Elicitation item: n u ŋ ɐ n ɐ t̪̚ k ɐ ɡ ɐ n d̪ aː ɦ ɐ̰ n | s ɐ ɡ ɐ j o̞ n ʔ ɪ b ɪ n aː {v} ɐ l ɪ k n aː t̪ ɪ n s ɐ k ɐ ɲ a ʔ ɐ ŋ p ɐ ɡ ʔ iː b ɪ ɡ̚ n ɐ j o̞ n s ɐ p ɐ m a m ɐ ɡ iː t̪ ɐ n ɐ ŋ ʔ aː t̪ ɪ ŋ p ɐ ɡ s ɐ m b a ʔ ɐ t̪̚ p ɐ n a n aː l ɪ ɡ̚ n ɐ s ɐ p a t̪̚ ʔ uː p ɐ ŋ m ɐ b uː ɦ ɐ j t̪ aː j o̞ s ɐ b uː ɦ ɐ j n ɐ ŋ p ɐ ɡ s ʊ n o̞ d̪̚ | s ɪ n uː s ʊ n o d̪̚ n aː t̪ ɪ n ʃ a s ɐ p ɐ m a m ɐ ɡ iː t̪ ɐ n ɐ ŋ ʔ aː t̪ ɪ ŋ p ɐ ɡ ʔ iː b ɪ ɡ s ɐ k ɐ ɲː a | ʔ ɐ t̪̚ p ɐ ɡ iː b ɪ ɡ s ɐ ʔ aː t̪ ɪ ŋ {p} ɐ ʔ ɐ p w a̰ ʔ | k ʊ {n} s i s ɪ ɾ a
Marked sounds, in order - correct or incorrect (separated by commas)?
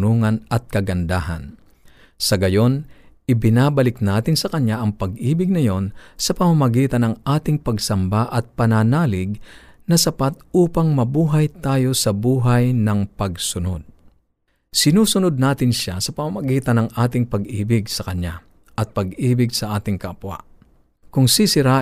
incorrect, incorrect, incorrect